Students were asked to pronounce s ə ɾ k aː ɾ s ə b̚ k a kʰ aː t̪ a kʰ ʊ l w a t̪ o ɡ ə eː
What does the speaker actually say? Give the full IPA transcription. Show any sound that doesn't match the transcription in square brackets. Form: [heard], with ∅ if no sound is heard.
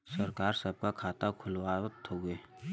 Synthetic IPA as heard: s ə ɾ k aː ɾ s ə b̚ k a kʰ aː t̪ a kʰ ʊ l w a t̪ o ɡ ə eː